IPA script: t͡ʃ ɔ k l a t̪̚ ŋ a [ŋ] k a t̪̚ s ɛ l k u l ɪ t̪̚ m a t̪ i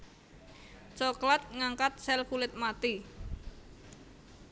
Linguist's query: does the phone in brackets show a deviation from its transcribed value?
no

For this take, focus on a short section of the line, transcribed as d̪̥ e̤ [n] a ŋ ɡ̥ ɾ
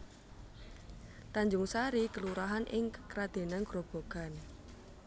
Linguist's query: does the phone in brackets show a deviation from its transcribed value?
no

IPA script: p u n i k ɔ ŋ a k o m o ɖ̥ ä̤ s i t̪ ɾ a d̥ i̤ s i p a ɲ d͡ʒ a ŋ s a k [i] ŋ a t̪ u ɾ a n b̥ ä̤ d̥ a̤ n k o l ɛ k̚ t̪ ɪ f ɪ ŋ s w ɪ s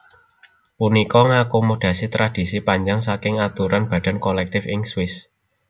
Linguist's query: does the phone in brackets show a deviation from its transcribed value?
yes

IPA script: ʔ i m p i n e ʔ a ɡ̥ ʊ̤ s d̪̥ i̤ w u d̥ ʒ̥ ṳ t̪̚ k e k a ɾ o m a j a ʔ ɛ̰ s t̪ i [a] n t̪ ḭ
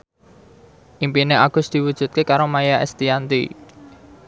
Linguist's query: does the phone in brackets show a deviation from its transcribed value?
no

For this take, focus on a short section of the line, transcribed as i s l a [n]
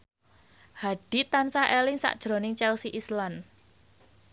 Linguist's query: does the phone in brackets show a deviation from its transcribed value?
no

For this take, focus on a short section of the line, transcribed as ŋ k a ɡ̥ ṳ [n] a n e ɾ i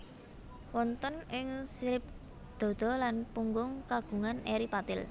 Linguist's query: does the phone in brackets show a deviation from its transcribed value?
yes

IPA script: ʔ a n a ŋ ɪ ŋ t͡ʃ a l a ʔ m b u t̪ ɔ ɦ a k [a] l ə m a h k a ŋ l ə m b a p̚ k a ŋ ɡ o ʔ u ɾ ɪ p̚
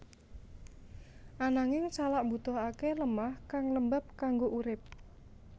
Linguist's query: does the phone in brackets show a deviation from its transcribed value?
yes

